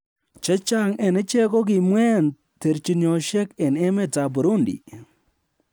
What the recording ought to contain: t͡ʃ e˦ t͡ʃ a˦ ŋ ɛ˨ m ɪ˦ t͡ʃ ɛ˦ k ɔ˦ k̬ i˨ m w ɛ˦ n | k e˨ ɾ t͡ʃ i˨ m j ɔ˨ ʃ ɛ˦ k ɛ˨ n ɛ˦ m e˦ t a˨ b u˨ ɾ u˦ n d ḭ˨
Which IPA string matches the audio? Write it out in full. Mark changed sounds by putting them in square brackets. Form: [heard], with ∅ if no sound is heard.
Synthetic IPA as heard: t͡ʃ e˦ t͡ʃ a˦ ŋ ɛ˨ [n] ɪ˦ t͡ʃ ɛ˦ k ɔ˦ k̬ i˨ m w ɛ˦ n | [t] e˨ ɾ t͡ʃ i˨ [n] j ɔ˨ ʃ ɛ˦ k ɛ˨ n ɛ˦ m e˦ t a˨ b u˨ ɾ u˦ n d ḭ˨

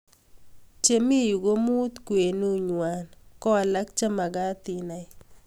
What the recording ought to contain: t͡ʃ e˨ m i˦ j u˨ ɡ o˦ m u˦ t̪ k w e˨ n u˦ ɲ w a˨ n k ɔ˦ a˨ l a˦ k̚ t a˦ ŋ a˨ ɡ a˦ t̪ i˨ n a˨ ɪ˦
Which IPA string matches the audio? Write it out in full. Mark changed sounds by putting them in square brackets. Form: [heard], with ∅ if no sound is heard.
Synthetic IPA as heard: t͡ʃ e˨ m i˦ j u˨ ɡ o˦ m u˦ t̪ k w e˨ n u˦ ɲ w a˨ n k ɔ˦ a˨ l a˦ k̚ [t͡ʃ] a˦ [m] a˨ ɡ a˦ t̪ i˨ n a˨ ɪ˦

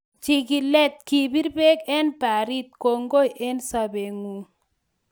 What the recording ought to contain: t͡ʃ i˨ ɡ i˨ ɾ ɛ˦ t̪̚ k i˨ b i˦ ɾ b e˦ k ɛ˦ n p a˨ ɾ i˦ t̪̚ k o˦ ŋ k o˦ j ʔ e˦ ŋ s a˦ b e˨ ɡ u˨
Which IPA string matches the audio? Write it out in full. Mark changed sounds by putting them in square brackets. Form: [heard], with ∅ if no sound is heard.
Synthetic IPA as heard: t͡ʃ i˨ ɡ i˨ [l] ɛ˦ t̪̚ k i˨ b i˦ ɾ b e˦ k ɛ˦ n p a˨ ɾ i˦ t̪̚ k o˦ ŋ [ɡ] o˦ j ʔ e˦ [n] s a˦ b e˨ [ŋ] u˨

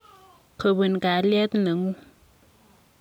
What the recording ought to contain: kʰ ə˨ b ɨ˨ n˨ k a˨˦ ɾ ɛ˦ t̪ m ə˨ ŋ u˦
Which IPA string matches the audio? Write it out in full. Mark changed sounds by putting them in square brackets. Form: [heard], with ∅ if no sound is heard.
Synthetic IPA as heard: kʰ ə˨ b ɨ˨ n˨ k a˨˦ [l] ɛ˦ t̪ [n] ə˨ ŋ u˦

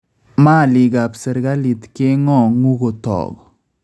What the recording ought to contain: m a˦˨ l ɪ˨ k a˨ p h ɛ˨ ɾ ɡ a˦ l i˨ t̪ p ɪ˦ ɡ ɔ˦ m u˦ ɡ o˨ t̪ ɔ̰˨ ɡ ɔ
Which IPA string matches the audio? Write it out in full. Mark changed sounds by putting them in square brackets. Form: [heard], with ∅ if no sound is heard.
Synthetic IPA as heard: m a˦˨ l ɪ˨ [ɡ] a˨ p [s] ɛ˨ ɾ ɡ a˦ l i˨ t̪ [k] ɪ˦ [ŋ] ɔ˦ [ŋ] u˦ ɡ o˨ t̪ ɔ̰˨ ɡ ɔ

